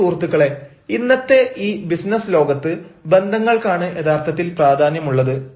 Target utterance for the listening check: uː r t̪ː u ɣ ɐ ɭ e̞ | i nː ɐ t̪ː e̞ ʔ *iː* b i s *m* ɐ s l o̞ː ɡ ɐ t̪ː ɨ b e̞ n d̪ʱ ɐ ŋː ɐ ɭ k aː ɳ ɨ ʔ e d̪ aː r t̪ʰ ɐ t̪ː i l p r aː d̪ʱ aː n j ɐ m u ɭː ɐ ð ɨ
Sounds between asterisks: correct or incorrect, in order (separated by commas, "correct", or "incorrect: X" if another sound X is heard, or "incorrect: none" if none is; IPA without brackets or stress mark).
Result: correct, incorrect: n